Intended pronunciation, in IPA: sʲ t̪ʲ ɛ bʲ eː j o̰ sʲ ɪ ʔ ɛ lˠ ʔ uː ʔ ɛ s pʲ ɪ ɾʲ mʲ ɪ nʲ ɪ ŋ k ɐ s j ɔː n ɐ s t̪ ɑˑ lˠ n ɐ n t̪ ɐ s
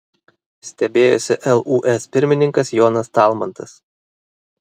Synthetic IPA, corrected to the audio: sʲ t̪ʲ ɛ bʲ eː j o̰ sʲ ɪ ʔ ɛ lˠ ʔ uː ʔ ɛ s pʲ ɪ ɾʲ mʲ ɪ nʲ ɪ ŋ k ɐ s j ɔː n ɐ s t̪ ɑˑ lˠ m ɐ n t̪ ɐ s